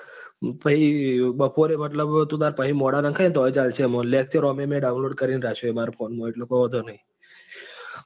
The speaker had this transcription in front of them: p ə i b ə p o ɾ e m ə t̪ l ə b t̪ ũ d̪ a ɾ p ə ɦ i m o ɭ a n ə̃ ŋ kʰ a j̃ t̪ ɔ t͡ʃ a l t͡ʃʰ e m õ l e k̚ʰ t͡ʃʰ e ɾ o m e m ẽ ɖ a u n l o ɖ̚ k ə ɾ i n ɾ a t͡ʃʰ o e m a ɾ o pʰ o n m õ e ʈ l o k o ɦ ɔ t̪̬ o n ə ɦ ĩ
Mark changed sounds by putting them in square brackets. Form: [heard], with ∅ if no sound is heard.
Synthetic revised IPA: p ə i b ə p o ɾ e m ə t̪ l ə b t̪ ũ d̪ a ɾ p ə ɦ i m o [ɽ] a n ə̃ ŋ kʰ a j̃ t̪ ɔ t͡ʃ a l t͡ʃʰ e m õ l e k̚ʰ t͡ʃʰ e ɾ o m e m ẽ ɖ a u n l o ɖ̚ k ə ɾ i n ɾ a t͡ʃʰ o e m a ɾ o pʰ o n m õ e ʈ l o k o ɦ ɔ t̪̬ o n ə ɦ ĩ

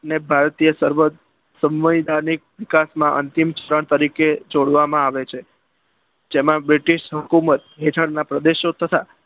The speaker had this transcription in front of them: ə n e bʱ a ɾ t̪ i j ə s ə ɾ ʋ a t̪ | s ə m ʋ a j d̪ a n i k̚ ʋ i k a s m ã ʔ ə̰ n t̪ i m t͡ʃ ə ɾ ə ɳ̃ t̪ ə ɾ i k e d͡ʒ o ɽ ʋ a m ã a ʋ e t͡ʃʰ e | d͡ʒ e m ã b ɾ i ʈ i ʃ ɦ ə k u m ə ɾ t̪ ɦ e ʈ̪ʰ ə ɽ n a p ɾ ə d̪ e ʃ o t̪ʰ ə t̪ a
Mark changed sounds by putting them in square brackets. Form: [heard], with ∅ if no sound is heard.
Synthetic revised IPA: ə n e bʱ a ɾ t̪ i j ə s ə ɾ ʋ [ə] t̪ | s ə m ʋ [ə] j d̪ a n i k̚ ʋ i k a s m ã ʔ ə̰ n t̪ i m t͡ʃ ə ɾ ə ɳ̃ t̪ ə ɾ i k e d͡ʒ o ɽ ʋ a m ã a ʋ e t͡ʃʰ e | d͡ʒ e m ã b ɾ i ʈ i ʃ ɦ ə k u m ə [∅] t̪ ɦ e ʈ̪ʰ ə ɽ n a p ɾ ə d̪ e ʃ o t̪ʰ ə t̪ a

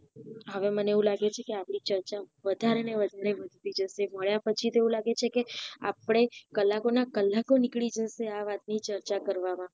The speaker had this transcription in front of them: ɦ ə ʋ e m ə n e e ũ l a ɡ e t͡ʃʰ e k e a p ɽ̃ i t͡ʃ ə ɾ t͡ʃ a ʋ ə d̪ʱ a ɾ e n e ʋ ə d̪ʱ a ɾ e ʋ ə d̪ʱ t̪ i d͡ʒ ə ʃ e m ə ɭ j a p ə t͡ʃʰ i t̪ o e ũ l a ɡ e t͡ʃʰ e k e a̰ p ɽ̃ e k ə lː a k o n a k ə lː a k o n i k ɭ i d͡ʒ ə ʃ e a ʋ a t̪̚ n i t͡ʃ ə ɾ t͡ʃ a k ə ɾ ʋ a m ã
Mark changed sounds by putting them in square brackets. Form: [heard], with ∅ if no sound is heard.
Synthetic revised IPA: ɦ ə ʋ e m ə n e e ũ l a ɡ e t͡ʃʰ e k e a p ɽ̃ i t͡ʃ ə ɾ t͡ʃ a ʋ ə d̪ʱ a ɾ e n e ʋ ə d̪ʱ a ɾ e ʋ ə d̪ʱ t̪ i d͡ʒ ə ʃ e m ə ɭ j a p ə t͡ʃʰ i t̪ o e ũ l a ɡ e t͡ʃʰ e k e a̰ p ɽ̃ e k ə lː a k o n a k ə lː a k o n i k ɭ i d͡ʒ ə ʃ e a ʋ a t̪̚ n i t͡ʃ ə ɾ t͡ʃ a k ə ɾ ʋ a m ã

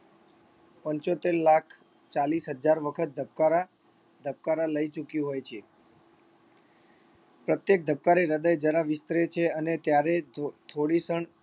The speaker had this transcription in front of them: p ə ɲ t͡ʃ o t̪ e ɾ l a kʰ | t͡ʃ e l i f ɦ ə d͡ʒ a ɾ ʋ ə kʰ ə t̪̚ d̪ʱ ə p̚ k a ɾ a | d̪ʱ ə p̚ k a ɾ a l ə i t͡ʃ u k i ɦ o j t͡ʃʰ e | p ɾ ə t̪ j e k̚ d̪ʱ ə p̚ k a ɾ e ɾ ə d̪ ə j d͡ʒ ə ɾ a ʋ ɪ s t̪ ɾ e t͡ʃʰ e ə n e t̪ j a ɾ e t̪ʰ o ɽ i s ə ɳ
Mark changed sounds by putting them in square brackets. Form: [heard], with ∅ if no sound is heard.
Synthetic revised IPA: p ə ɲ t͡ʃ o t̪ e ɾ l a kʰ | t͡ʃ [a] l i [s] ɦ ə d͡ʒ a ɾ ʋ ə kʰ ə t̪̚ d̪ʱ ə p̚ k a ɾ a | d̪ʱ ə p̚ k a ɾ a l ə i t͡ʃ u k i ɦ o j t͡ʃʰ e | p ɾ ə t̪ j e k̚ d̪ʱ ə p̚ k a ɾ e ɾ ə d̪ ə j d͡ʒ ə ɾ a ʋ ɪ s t̪ ɾ e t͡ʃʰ e ə n e t̪ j a ɾ e t̪ʰ o ɽ i s ə ɳ

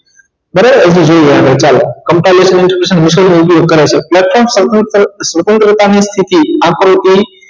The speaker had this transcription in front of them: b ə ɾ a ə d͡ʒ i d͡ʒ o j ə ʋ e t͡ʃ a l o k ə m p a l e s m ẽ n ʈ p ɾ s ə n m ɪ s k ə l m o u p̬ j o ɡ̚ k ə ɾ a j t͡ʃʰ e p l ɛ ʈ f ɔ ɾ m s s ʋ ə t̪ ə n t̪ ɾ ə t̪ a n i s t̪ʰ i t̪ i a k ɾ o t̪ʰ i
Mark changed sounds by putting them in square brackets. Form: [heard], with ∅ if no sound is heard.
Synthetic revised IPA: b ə ɾ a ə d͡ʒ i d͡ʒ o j [a] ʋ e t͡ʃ a l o k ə m p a l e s m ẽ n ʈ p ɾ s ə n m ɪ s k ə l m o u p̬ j o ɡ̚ k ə ɾ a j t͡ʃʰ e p l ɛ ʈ f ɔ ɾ m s s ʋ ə t̪ ə n t̪ ɾ ə t̪ a n i s t̪ʰ i t̪ i a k ɾ o [t̪] i

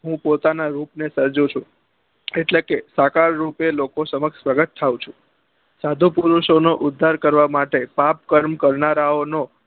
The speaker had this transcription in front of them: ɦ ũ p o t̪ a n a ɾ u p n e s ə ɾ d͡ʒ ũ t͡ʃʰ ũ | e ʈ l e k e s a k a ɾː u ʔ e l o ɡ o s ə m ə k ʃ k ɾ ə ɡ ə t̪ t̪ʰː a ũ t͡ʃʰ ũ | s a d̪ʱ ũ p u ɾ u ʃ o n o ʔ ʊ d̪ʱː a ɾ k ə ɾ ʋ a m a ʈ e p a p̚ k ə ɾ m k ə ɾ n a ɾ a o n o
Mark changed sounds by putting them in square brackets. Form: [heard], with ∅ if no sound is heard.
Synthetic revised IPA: ɦ ũ p o t̪ a n a ɾ u p n e s ə ɾ d͡ʒ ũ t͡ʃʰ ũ | e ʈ l e k e s a k a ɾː u [p] e l o [k] o s ə m ə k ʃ [p] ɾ ə ɡ ə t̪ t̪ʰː a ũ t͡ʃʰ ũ | s a d̪ʱ [u] p u ɾ u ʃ o n o ʔ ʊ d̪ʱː a ɾ k ə ɾ ʋ a m a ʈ e p a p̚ k ə ɾ m k ə ɾ n a ɾ a o n o

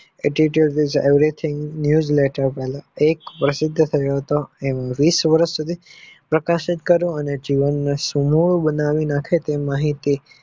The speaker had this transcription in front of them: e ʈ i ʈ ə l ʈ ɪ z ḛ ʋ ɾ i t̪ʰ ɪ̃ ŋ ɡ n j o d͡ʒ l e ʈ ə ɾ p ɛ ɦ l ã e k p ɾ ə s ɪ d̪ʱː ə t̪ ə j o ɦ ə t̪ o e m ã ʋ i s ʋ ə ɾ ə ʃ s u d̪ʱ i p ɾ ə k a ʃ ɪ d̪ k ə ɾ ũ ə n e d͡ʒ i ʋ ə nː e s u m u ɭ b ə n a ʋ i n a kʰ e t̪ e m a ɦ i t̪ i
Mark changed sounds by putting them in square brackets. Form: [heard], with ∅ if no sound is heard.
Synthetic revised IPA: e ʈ i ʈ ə l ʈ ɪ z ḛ ʋ ɾ i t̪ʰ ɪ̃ ŋ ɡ n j [u] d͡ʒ l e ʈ ə ɾ p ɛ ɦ l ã e k p ɾ ə s ɪ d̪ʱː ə [t̪ʰ] ə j o ɦ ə t̪ o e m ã ʋ i s ʋ ə ɾ ə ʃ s u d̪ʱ i p ɾ ə k a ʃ ɪ [t̪] k ə ɾ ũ ə n e d͡ʒ i ʋ ə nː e s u m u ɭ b ə n a ʋ i n a kʰ e t̪ e m a ɦ i t̪ i

